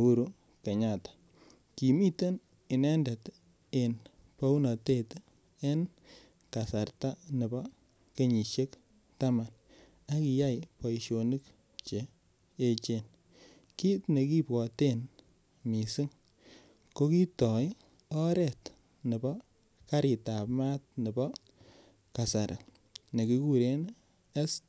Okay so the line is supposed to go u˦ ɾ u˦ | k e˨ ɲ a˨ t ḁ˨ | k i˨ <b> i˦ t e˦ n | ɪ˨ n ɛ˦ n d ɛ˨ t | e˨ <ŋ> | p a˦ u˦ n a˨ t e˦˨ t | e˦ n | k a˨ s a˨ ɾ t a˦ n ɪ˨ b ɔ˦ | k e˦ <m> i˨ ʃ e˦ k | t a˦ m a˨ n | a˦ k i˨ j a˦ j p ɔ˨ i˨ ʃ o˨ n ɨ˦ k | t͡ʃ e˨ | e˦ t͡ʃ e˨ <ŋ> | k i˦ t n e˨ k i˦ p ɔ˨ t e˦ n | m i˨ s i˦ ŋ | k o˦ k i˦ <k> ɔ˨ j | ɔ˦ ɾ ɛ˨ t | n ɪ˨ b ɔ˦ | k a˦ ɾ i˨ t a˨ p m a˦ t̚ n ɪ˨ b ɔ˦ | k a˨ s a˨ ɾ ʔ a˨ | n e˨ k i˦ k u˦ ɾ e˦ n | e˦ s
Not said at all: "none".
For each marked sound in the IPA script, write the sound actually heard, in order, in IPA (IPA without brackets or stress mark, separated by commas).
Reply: m, n, ɲ, n, t